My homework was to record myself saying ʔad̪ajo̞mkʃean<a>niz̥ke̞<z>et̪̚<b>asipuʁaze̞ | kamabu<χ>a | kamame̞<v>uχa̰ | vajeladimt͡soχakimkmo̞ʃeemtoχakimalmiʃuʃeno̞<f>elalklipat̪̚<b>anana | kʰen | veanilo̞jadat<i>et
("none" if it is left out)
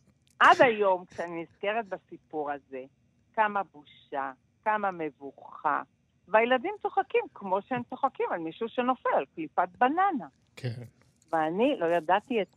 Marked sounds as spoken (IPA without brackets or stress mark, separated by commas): i, ʁ, b, ʃ, v, f, b, i